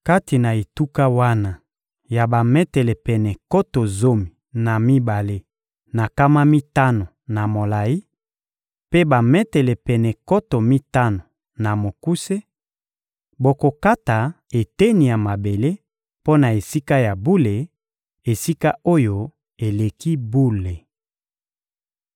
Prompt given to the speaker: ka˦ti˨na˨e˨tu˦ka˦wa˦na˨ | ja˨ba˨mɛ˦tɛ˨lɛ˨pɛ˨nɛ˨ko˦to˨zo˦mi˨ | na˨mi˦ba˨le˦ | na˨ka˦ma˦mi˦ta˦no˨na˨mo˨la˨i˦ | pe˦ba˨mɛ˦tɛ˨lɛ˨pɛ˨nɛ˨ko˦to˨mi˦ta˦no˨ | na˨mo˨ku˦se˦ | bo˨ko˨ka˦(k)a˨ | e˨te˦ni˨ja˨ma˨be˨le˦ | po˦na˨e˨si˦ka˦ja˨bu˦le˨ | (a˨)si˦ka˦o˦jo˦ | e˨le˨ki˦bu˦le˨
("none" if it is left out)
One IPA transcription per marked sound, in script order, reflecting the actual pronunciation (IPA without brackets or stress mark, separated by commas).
t, e˨